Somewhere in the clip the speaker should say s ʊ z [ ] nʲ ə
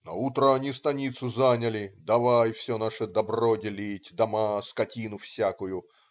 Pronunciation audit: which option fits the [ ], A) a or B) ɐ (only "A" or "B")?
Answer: A